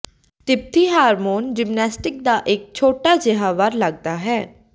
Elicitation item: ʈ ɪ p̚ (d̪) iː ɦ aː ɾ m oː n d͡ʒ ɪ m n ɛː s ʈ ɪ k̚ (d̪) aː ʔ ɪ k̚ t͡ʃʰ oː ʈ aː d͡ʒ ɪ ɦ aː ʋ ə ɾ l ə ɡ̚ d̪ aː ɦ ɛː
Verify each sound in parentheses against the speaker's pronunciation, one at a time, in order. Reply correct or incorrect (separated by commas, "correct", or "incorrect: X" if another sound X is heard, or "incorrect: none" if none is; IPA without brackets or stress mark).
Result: incorrect: t̪, correct